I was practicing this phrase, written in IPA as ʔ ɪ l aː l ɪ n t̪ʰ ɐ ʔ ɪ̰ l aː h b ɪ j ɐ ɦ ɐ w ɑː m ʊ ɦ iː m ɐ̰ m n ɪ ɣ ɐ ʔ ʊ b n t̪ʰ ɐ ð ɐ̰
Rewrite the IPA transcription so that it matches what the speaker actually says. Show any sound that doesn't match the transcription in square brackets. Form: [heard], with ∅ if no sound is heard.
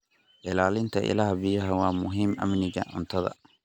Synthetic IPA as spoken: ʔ ɪ l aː l ɪ n t̪ʰ ɐ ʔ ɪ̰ l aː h b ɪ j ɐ ɦ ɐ w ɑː m ʊ ɦ iː m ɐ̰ m n ɪ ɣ ɐ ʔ ʊ [∅] n t̪ʰ ɐ ð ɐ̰